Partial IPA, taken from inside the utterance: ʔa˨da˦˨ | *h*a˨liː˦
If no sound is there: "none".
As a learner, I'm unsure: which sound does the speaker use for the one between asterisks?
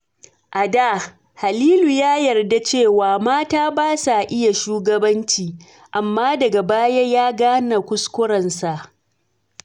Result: h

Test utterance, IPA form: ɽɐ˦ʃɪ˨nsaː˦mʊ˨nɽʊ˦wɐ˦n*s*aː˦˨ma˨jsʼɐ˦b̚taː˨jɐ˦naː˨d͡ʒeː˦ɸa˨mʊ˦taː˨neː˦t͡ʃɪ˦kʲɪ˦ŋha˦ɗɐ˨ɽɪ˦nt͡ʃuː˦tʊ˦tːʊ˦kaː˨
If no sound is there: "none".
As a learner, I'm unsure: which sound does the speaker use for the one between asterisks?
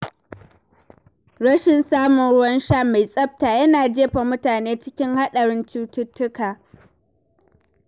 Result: ʃ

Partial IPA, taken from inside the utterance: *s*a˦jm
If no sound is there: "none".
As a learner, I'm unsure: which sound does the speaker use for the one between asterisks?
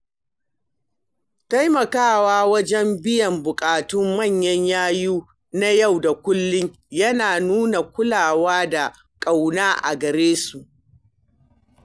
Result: t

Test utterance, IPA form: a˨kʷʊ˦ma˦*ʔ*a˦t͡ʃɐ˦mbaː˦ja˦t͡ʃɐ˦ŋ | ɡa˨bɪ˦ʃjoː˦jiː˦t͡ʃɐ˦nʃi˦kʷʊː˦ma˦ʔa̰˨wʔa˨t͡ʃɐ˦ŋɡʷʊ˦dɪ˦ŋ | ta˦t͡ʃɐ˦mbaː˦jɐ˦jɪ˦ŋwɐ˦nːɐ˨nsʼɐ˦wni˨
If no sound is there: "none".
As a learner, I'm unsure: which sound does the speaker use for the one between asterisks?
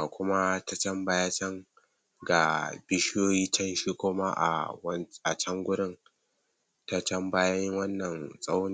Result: t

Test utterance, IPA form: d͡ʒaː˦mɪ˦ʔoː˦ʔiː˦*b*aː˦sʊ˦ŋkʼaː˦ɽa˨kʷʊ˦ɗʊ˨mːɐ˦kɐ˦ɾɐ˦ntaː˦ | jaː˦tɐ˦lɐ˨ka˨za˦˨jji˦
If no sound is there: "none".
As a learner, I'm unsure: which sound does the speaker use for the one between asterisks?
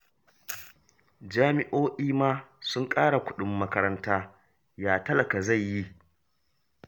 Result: m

